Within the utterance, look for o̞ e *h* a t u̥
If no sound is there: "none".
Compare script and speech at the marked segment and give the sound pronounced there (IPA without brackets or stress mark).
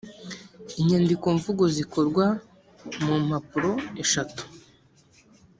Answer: ʃ